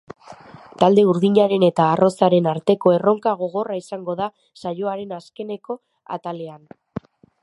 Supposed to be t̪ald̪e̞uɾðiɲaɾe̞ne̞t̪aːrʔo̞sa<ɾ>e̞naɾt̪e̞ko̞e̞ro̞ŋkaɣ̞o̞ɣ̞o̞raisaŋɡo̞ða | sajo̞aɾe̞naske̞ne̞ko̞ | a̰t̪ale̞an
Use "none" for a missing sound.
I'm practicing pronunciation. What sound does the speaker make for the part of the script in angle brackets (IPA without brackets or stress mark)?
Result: ɾ